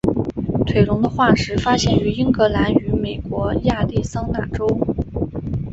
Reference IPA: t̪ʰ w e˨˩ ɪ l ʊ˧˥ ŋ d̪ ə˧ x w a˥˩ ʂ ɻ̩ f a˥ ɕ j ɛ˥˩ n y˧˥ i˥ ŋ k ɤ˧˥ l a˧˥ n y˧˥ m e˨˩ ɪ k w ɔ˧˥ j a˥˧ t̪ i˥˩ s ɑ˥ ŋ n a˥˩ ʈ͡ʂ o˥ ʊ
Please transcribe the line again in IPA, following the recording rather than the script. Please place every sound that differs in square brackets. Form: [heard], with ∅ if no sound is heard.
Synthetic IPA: t̪ʰ w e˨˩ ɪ l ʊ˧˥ ŋ d̪ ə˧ x w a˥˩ ʂ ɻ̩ f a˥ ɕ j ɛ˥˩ n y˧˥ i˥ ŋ k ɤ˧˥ l a˧˥ n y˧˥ m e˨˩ ɪ k w ɔ˧˥ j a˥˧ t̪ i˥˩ s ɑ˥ ŋ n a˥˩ ʈ͡ʂ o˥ ʊ